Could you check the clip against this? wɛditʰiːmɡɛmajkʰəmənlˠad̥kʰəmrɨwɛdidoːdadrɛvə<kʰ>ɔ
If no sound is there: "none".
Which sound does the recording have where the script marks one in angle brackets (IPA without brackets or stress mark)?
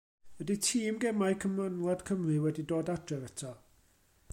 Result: tʰ